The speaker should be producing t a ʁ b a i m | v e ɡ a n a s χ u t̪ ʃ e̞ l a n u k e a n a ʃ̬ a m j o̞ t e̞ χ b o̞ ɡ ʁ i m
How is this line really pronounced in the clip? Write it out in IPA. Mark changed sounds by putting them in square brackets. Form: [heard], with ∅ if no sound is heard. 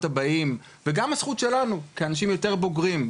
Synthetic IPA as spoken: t a [∅] b a i m | v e ɡ a [m] a s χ u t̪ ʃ e̞ l a n u k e a n a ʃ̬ [i] m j o̞ t e̞ [ʁ] b o̞ ɡ ʁ i m